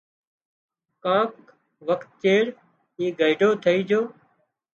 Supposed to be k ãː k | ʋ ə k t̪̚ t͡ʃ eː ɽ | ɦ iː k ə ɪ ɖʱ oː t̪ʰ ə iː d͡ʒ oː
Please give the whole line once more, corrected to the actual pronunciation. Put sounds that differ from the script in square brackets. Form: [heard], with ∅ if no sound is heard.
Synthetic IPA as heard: k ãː k | ʋ ə k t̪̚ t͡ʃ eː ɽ | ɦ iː [ɡ] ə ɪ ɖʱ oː t̪ʰ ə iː d͡ʒ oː

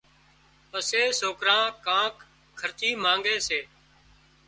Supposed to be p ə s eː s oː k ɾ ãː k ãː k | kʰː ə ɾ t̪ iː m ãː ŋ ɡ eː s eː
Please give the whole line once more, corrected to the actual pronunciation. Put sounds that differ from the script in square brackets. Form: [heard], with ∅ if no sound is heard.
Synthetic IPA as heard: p ə s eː s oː k ɾ ãː k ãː k | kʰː ə ɾ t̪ iː m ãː ŋ ɡ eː s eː

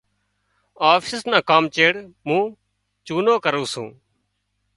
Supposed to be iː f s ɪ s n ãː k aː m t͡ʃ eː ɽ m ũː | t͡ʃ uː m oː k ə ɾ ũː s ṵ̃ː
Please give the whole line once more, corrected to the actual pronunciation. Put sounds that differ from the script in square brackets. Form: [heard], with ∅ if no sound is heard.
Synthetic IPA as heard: [aː] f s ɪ s n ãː k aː m t͡ʃ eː ɽ m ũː | t͡ʃ uː [n] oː k ə ɾ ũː s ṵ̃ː

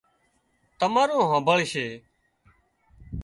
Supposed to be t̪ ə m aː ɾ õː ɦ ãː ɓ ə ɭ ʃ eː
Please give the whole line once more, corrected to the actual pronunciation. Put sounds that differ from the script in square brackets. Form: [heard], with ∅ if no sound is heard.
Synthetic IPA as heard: t̪ ə m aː ɾ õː ɦ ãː [b] ə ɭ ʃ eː

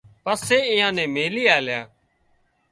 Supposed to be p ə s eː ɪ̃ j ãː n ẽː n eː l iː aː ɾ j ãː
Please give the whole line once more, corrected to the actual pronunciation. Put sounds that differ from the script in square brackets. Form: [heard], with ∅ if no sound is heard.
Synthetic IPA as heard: p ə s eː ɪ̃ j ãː n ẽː [m] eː l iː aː [l] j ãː

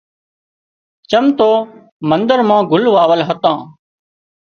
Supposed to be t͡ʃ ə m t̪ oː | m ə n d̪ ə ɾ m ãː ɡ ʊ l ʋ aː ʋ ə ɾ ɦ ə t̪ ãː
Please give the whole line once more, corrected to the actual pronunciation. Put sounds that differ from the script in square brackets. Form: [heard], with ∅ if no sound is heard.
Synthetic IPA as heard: t͡ʃ ə m t̪ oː | m ə n d̪ ə ɾ m ãː ɡ ʊ l ʋ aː ʋ ə [l] ɦ ə t̪ ãː

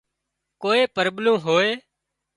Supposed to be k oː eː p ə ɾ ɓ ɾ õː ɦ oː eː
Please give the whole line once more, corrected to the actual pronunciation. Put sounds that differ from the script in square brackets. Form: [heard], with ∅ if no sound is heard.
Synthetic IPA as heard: k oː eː p ə ɾ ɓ [l] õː ɦ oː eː

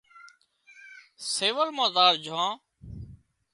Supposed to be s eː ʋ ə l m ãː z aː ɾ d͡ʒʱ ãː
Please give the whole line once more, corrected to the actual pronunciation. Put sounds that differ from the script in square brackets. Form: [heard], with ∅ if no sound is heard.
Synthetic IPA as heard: s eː ʋ ə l m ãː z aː ɾ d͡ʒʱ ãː

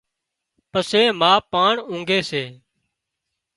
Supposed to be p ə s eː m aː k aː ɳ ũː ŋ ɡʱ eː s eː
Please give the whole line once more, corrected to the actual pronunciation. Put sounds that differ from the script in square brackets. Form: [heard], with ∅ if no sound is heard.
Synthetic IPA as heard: p ə s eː m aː [p] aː ɳ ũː ŋ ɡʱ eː s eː

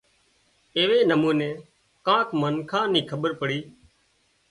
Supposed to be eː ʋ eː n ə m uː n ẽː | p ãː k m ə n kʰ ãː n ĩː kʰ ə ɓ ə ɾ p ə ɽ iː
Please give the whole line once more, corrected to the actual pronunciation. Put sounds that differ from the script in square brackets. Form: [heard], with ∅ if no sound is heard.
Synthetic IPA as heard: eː ʋ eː n ə m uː n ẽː | [k] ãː k m ə n kʰ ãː n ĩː kʰ ə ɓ ə ɾ p ə ɽ iː

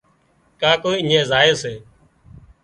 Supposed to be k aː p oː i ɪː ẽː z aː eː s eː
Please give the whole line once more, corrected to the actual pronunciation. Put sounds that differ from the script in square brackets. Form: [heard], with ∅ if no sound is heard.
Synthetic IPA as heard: k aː [k] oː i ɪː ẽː z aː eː s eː

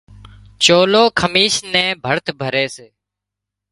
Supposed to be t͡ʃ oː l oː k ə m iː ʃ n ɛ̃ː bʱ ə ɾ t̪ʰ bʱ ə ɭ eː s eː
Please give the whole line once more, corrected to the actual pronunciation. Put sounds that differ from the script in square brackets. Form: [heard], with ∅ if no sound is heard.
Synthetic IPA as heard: t͡ʃ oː l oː [kʰ] ə m iː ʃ n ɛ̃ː bʱ ə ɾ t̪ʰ bʱ ə [ɾ] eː s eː

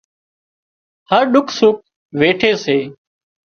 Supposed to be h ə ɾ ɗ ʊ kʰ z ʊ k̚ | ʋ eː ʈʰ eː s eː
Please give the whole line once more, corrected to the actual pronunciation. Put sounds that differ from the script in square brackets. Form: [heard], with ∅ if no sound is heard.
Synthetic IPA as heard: h ə ɾ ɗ ʊ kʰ [s] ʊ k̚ | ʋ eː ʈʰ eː s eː

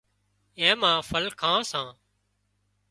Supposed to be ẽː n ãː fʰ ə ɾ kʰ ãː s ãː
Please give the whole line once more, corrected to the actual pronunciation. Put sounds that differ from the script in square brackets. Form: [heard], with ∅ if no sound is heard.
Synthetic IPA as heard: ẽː [m] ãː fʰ ə [l] kʰ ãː s ãː

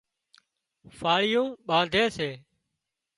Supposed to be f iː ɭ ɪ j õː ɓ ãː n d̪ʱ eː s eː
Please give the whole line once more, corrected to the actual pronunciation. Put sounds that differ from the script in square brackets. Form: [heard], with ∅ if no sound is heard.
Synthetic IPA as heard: f [aː] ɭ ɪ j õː ɓ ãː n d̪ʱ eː s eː

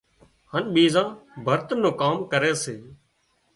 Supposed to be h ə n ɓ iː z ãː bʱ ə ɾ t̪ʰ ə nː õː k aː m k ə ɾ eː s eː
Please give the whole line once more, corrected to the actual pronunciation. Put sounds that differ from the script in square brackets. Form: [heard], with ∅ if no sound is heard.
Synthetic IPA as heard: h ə n ɓ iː z ãː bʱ ə ɾ [t̪] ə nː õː k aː m k ə ɾ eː s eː

